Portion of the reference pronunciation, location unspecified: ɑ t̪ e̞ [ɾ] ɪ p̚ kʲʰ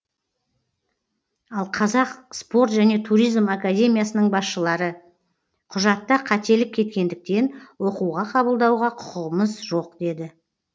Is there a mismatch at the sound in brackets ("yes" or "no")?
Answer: yes